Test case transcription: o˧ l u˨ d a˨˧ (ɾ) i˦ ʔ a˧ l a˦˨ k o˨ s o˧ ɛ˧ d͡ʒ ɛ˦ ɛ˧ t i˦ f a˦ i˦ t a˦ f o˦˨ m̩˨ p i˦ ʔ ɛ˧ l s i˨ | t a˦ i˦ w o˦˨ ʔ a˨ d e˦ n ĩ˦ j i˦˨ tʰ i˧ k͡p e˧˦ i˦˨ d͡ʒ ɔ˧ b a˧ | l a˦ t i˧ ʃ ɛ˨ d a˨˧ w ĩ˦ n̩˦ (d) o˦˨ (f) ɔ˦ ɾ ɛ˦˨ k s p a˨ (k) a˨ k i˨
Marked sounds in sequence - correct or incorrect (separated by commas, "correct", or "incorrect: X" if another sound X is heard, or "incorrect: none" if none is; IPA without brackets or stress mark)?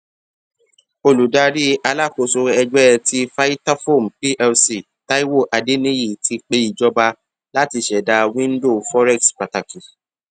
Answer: correct, correct, correct, incorrect: t